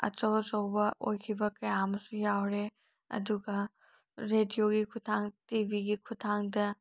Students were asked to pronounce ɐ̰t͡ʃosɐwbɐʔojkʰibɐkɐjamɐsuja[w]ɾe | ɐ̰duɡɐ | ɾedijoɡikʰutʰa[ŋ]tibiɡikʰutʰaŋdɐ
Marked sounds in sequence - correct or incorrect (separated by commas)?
correct, correct